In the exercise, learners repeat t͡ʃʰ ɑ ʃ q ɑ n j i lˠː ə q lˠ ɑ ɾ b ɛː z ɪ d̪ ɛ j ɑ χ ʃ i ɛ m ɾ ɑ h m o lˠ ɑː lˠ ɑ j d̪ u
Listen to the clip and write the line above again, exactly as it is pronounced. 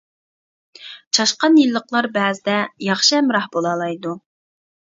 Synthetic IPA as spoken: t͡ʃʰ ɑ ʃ q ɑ n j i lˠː ə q lˠ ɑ ɾ b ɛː z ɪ d̪ ɛ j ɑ χ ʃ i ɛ m ɾ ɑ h b o lˠ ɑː lˠ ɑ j d̪ u